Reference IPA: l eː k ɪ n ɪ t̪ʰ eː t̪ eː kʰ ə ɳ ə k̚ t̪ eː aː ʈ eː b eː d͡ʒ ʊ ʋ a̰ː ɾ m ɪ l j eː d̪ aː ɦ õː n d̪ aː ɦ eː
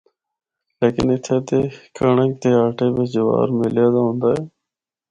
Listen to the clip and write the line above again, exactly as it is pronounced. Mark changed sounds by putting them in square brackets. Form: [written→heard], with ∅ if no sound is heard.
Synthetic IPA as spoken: l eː k ɪ n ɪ t̪ʰ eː t̪ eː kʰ ə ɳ ə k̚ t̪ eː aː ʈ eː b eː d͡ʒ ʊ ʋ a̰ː ɾ m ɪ l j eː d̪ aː ɦ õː n d̪ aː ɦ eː

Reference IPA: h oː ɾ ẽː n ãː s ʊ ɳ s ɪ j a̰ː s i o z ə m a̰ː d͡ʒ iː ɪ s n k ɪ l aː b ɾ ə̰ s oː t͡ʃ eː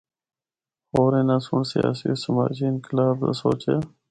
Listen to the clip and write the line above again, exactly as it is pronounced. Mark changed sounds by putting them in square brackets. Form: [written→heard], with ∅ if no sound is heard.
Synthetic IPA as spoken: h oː ɾ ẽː n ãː s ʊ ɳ s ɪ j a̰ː s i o [z→s] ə m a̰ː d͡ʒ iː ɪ [s→∅] n k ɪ l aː b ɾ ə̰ s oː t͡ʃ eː

